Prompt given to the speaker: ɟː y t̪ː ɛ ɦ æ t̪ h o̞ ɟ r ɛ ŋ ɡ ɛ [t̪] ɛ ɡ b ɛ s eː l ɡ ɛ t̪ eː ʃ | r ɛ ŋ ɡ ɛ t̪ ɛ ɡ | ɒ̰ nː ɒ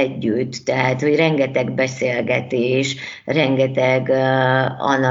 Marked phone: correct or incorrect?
correct